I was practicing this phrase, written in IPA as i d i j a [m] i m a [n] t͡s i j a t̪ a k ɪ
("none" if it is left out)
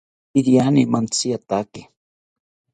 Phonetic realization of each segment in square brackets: n, n

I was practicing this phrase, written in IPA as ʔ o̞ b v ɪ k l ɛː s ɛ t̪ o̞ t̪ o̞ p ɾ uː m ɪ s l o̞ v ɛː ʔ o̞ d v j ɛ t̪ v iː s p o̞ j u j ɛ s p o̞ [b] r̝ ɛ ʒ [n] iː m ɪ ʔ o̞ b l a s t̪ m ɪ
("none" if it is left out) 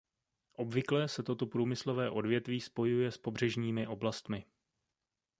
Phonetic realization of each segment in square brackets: b, ɲ

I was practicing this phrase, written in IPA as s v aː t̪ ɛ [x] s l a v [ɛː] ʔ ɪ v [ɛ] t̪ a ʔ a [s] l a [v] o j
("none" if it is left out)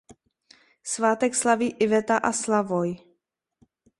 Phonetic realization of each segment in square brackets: k, iː, ɛ, s, v

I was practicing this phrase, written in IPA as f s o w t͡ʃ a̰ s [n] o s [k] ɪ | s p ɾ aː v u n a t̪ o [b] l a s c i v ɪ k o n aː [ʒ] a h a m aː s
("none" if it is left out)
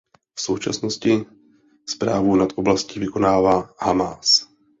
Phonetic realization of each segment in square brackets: n, c, b, v

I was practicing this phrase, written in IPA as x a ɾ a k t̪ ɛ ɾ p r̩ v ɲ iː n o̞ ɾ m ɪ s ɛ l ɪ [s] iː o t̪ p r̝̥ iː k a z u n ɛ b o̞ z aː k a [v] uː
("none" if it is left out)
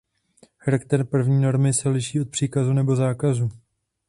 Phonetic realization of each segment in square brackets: ʃ, z

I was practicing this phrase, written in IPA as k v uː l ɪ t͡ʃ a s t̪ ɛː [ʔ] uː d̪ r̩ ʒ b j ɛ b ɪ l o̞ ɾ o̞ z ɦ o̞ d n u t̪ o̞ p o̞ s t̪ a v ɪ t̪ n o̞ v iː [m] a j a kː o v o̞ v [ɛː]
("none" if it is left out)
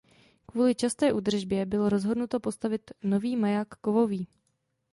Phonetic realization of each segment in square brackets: ʔ, m, iː

